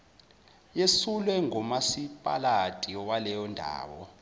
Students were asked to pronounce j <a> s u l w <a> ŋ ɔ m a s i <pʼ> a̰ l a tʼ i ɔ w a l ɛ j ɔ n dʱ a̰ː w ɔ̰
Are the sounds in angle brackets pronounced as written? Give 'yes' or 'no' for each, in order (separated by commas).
no, no, yes